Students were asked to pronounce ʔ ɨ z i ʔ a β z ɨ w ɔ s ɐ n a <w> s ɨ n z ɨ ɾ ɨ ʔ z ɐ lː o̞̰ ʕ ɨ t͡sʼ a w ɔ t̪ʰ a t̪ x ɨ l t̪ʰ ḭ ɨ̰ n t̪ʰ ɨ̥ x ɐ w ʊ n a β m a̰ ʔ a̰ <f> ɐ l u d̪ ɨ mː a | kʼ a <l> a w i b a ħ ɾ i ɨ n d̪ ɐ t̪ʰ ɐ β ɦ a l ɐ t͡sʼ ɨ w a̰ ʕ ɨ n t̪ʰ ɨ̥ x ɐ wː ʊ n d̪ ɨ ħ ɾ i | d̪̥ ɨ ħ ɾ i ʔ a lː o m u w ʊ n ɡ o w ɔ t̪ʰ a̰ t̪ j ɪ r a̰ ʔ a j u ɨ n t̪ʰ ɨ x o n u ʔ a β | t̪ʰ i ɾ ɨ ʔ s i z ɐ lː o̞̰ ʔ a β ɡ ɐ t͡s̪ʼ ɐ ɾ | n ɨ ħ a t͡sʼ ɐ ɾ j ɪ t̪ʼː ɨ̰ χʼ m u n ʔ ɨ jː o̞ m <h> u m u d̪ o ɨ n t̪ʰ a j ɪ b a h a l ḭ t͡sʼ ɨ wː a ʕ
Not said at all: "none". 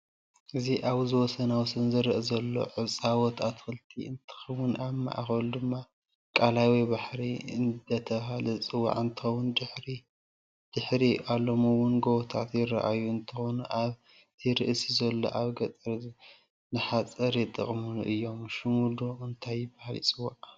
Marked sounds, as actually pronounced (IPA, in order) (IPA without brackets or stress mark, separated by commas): w, x, l, ʃ